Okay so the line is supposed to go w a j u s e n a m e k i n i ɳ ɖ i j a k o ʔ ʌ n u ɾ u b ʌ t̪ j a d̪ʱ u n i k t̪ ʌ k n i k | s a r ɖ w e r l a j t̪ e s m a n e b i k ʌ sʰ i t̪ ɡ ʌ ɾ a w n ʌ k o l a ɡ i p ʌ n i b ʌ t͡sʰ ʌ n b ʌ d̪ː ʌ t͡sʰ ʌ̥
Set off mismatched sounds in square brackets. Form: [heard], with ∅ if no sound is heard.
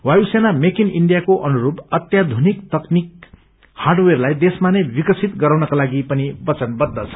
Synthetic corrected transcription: w a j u s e n a m e k i n i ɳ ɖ i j a k o ʔ ʌ n u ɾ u b ʌ t̪ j a d̪ʱ u n i k t̪ ʌ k n i k | [h] a r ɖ w e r l a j [d̪] e s m a n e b i k ʌ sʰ i t̪ ɡ ʌ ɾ a w n ʌ k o l a ɡ i p ʌ n i b ʌ [t͡s] ʌ n b ʌ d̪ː ʌ t͡sʰ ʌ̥